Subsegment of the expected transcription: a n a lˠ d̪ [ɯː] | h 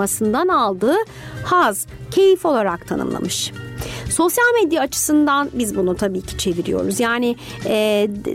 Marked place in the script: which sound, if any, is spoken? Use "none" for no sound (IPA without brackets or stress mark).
ɯː